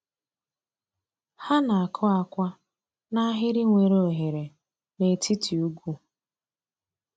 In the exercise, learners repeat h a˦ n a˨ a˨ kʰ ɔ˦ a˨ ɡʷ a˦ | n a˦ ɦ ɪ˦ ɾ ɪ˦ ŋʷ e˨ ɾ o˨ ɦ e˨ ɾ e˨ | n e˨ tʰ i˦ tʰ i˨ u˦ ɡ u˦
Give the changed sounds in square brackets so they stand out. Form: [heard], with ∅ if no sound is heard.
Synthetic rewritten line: h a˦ n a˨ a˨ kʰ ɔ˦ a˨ [kʷ] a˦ | n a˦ ɦ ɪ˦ ɾ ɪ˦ ŋʷ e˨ ɾ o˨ ɦ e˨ ɾ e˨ | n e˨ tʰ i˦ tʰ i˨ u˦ ɡ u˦

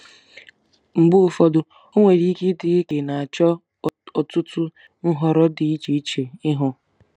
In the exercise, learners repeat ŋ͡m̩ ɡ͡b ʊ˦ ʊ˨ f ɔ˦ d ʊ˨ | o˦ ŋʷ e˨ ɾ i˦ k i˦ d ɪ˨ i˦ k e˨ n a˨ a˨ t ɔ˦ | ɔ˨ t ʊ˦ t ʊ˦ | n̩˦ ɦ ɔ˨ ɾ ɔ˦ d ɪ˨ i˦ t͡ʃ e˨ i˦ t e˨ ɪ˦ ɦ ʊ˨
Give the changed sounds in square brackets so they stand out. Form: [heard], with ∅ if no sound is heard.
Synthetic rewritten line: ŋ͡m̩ ɡ͡b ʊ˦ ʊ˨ f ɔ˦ d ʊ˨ | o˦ ŋʷ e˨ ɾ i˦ k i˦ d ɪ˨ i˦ k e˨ n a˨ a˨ [t͡ʃ] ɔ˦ | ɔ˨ t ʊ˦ t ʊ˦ | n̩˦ ɦ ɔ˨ ɾ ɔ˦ d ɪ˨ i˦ t͡ʃ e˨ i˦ [t͡ʃ] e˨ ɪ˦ ɦ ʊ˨

